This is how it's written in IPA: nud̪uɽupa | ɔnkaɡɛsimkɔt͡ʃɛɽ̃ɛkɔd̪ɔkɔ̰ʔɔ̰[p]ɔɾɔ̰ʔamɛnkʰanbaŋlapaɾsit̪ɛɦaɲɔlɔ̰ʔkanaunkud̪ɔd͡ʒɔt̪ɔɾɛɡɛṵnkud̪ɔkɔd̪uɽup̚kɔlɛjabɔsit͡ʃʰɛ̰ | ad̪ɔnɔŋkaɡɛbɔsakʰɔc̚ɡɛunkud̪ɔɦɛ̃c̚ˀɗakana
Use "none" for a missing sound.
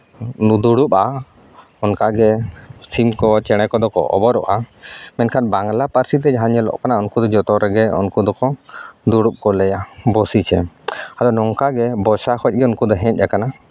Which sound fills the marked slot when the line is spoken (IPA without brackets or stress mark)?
b